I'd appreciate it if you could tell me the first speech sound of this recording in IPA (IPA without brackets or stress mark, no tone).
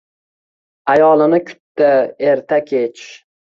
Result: a